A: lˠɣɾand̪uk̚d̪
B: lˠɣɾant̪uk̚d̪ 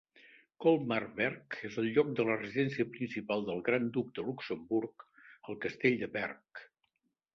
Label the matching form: A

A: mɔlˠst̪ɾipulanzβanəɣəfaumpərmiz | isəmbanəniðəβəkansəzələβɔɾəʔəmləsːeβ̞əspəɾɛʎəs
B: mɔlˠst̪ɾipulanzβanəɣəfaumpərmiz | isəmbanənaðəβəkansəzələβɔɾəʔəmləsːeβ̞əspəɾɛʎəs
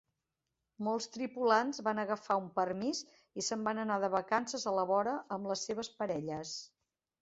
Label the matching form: B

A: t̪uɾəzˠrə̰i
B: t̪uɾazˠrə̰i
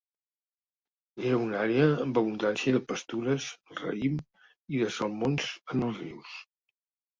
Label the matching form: A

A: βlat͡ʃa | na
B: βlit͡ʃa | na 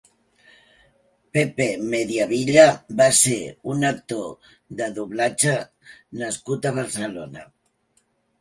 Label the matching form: A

